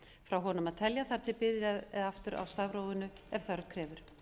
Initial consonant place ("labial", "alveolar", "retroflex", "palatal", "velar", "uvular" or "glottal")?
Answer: labial